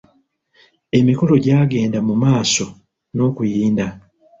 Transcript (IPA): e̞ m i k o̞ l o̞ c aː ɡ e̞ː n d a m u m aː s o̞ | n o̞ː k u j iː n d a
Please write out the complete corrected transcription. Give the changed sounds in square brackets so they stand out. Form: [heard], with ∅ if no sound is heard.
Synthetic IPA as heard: e̞ m i k o̞ l o̞ [ɟ] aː ɡ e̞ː n d a m u m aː s o̞ | n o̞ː k u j iː n d a